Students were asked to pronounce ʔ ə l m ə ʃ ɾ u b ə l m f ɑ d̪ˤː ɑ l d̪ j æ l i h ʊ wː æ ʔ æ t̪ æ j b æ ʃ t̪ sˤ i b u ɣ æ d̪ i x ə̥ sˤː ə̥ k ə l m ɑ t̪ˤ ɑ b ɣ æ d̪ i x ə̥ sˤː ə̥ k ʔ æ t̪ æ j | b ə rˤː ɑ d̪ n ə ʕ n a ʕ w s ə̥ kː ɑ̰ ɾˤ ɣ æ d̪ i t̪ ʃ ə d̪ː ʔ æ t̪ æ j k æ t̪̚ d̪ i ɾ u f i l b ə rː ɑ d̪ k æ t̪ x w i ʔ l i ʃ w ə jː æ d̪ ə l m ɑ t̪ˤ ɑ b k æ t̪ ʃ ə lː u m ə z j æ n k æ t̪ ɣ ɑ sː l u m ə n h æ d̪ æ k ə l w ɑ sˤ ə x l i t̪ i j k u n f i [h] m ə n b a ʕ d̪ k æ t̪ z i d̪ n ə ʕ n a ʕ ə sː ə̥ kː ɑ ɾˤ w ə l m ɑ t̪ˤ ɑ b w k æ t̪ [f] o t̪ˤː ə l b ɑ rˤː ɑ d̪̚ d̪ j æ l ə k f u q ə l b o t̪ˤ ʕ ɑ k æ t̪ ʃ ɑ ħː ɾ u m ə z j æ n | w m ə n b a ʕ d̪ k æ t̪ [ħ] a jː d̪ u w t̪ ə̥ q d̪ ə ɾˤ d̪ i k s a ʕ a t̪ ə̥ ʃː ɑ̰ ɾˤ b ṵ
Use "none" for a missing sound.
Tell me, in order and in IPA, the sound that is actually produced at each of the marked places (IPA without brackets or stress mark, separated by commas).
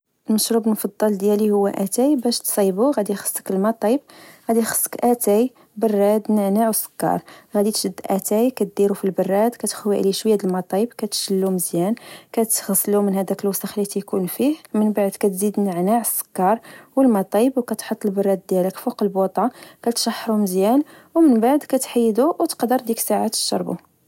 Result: h, ħ, ħ